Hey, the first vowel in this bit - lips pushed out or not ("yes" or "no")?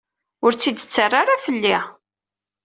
yes